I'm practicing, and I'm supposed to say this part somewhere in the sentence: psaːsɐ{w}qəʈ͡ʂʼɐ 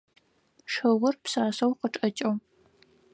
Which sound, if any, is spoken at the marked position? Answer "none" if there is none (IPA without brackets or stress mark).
w